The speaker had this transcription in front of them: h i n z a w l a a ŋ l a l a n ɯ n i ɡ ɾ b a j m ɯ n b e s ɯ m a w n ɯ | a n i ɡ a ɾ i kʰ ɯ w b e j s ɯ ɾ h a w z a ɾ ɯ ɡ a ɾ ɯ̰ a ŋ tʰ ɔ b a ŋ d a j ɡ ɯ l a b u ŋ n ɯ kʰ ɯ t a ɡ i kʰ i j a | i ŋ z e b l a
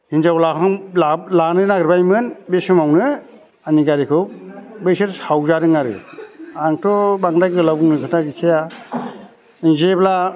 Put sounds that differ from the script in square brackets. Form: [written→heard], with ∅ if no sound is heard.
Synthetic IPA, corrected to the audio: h i n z a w l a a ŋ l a l a n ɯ n [i→a] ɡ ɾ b a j m ɯ n b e s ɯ m a w n ɯ | a n i ɡ a ɾ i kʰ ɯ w b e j s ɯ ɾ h a w z a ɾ ɯ [ɡ→ŋ] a ɾ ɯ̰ a ŋ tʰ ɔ b a ŋ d a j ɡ ɯ l a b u ŋ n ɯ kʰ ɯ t a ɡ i kʰ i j a | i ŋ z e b l a